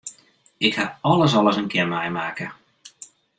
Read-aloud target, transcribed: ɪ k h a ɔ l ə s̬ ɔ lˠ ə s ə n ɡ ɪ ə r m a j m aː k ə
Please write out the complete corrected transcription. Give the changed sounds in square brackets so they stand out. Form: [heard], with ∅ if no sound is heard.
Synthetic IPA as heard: ɪ k h a ɔ l ə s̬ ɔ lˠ ə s ə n [k] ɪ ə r m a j m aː k ə